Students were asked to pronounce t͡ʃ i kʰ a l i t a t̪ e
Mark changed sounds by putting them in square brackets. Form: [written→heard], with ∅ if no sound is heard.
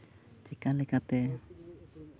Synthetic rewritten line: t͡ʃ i [kʰ→k] a l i [t→k] a t̪ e